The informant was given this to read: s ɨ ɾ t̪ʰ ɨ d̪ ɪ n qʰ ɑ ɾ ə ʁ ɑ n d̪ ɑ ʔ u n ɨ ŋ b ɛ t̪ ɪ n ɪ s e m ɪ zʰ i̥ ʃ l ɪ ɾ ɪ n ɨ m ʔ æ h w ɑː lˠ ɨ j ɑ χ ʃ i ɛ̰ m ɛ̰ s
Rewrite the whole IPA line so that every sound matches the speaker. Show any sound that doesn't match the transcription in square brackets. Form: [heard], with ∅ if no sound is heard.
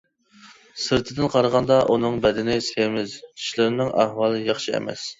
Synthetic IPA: s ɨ ɾ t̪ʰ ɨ d̪ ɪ n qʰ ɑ ɾ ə ʁ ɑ n d̪ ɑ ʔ u n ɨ ŋ b ɛ [d̪] ɪ n ɪ s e m ɪ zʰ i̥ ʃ l ɪ ɾ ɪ n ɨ [ŋ] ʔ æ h w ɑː lˠ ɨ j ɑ χ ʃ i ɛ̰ m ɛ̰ s